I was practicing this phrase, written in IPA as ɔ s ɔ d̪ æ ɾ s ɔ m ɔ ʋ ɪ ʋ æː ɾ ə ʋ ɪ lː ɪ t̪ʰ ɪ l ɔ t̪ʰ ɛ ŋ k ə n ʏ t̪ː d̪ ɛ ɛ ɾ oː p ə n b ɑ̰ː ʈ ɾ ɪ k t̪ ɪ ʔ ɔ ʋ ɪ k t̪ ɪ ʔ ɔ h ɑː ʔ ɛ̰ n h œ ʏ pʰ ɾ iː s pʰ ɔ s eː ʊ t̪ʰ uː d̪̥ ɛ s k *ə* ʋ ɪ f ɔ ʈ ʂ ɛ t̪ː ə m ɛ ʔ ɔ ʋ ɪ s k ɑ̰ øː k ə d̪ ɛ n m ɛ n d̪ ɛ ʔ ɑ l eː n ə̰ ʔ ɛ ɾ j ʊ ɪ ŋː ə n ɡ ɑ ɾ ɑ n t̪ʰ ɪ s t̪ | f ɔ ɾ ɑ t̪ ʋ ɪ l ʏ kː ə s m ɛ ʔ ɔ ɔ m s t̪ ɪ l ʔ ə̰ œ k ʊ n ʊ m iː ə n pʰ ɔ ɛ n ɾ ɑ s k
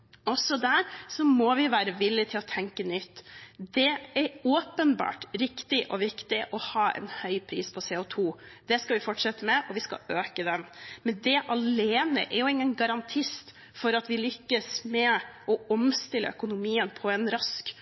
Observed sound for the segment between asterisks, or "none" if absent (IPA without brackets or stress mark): ɑ